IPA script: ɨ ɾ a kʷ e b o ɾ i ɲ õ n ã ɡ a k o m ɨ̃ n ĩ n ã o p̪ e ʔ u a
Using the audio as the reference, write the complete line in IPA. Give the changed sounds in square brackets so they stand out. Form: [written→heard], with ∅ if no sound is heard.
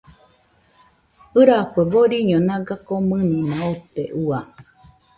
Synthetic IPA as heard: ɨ ɾ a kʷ e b o ɾ i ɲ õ n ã ɡ a k o m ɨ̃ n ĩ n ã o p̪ e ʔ u a